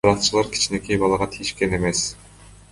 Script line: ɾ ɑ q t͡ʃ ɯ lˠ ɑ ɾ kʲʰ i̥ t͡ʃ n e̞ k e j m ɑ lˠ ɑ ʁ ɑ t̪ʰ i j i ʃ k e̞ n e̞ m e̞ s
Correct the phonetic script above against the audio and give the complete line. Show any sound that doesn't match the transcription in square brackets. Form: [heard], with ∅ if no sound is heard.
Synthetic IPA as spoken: ɾ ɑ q t͡ʃ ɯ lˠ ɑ ɾ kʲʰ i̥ t͡ʃ n e̞ k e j [b] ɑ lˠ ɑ ʁ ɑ t̪ʰ i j i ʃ k e̞ n e̞ m e̞ s